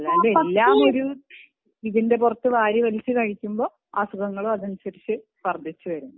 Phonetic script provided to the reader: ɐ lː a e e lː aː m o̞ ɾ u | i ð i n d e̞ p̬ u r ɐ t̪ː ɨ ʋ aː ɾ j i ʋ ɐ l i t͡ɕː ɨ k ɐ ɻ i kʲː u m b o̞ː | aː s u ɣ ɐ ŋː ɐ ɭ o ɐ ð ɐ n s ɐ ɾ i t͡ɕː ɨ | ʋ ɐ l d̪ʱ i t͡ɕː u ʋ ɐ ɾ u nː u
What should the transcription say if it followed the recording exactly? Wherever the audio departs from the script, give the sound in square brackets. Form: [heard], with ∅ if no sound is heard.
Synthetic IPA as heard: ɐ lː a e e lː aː m o̞ ɾ u | i ð i n d e̞ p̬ u r ɐ t̪ː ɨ ʋ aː ɾ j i ʋ ɐ l i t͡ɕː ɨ k ɐ ɻ i kʲː u m b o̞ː | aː s u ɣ ɐ ŋː ɐ ɭ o ɐ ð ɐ n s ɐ ɾ i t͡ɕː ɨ | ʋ ɐ [r] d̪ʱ i t͡ɕː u ʋ ɐ ɾ u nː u